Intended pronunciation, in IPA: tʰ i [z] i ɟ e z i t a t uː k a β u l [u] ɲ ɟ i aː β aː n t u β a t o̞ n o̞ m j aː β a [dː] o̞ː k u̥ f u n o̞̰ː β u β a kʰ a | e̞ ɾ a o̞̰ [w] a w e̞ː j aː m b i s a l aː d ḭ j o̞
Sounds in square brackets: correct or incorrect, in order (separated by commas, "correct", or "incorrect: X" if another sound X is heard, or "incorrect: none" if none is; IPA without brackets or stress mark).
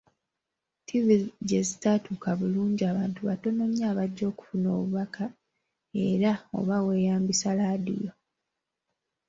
incorrect: v, incorrect: uː, incorrect: ɟː, incorrect: β